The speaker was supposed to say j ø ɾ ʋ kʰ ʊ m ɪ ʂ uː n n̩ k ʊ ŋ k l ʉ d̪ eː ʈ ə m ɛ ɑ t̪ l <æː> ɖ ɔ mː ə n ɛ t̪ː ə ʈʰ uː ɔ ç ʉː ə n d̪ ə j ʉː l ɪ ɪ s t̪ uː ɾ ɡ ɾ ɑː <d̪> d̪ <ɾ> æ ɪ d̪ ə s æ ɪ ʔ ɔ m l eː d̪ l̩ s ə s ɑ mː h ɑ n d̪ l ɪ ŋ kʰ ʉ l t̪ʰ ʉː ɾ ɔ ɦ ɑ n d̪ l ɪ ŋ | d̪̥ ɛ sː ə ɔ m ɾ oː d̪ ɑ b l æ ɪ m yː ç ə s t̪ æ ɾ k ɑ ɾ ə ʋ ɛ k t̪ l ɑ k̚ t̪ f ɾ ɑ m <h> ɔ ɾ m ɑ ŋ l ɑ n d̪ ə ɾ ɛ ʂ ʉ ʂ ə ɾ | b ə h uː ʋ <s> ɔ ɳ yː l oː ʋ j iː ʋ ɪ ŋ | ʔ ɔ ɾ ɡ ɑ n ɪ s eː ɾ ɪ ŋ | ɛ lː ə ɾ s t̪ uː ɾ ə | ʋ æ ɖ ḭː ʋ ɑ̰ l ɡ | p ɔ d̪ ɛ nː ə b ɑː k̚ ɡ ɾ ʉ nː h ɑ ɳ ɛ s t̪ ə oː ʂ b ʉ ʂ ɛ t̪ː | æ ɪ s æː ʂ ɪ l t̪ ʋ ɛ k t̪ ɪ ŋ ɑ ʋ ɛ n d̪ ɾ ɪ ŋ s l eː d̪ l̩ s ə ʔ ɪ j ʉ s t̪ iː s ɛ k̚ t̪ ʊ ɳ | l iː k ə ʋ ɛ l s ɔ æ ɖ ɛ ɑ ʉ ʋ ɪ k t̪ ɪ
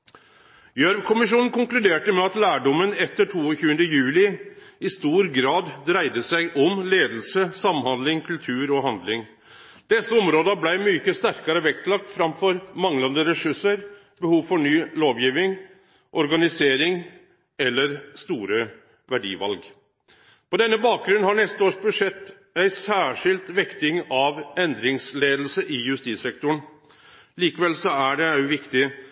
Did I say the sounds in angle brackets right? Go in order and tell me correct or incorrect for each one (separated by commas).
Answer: correct, correct, correct, incorrect, incorrect